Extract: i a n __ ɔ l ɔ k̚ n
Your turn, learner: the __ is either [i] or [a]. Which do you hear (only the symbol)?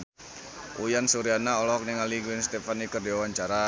a